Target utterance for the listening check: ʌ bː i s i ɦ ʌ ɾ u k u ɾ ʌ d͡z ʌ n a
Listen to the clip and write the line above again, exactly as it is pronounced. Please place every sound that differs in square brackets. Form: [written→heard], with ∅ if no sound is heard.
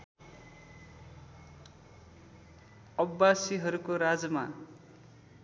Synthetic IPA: ʌ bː [i→a] s i ɦ ʌ ɾ u k [u→o] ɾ [ʌ→a] d͡z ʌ [n→m] a